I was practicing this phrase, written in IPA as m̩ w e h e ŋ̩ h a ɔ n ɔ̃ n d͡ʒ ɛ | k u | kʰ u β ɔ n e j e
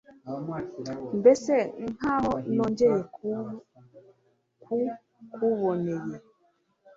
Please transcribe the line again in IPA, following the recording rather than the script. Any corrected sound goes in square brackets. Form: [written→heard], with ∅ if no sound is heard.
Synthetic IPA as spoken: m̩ [w→b] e [h→s] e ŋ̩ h a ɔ n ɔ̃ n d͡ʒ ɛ | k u | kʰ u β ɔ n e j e